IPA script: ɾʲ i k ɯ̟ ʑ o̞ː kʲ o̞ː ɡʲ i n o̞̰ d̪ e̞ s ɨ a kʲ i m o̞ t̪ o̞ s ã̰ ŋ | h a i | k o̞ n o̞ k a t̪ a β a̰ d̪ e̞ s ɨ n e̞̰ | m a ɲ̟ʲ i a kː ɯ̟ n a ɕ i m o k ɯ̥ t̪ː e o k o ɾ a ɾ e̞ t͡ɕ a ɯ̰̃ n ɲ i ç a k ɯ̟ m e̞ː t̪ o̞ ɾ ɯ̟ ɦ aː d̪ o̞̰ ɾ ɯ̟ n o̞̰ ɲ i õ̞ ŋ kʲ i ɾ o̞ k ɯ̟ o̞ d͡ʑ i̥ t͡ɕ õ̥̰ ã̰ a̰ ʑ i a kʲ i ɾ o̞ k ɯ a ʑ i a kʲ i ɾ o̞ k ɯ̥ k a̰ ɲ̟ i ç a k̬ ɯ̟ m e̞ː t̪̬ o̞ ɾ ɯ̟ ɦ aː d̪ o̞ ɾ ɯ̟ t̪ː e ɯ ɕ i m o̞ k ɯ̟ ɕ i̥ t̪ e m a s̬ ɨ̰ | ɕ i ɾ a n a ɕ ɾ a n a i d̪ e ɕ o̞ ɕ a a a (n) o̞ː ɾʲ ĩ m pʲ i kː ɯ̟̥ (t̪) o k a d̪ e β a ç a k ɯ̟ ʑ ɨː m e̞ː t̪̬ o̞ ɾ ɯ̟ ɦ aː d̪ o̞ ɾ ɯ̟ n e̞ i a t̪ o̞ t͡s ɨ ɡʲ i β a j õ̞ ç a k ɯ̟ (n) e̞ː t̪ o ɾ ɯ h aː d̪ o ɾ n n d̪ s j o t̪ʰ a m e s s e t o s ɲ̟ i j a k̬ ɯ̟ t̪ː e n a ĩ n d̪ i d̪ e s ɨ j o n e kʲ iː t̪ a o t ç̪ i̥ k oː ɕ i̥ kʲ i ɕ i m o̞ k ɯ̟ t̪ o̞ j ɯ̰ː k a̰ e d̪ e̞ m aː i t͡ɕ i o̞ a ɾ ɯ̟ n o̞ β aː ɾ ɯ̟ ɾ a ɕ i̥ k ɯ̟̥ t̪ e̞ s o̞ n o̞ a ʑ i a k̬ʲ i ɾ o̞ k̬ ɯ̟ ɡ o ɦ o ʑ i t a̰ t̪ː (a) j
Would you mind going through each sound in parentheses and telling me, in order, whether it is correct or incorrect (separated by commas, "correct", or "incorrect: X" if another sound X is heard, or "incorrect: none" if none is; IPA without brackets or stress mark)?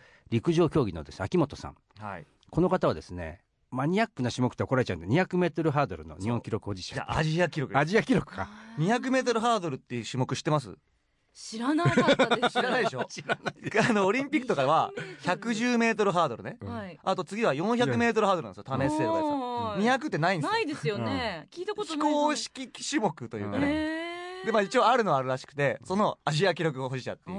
correct, correct, incorrect: m, incorrect: e